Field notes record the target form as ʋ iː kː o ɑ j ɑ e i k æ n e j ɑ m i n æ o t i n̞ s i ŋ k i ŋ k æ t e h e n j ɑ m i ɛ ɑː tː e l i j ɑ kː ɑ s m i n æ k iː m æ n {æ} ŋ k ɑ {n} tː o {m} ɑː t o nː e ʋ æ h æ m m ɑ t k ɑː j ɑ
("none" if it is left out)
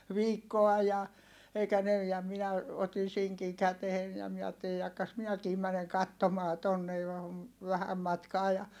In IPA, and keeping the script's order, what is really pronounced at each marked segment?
e, none, m

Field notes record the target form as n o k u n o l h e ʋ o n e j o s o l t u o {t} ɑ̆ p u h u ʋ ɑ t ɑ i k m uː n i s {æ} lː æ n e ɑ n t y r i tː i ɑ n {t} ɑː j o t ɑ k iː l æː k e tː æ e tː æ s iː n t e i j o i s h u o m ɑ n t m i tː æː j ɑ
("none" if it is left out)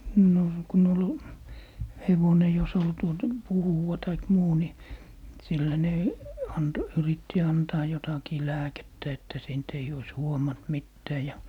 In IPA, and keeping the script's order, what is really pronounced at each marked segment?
t, i, t

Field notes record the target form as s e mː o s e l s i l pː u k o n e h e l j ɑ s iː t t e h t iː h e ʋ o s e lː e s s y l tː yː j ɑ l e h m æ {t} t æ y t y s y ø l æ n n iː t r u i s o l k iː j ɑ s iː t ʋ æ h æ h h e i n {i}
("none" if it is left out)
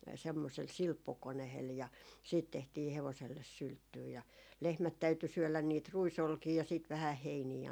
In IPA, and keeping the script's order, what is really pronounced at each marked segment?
t, iː

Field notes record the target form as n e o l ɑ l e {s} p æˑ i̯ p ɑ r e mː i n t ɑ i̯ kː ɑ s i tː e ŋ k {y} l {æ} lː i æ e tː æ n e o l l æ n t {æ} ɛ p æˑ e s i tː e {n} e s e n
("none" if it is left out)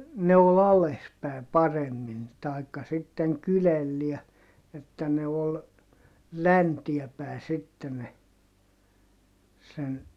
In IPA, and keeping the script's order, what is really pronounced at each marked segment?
s, y, e, i, n

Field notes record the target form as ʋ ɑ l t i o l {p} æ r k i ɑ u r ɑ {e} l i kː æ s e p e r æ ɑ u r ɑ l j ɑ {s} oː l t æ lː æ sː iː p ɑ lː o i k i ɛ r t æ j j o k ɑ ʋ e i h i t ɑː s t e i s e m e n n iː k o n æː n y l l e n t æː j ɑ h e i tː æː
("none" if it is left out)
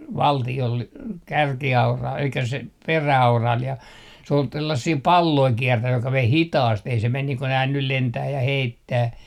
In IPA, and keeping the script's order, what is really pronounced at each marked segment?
k, e, s

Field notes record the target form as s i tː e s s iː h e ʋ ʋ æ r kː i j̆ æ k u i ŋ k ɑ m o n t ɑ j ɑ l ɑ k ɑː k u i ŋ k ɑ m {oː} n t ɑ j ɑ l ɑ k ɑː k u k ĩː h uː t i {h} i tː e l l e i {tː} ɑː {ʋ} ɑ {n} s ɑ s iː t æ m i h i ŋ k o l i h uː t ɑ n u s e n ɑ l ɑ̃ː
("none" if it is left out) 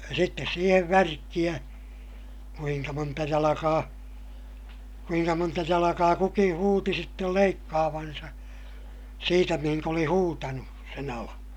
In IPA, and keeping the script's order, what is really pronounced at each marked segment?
o, s, kː, ʋ, n

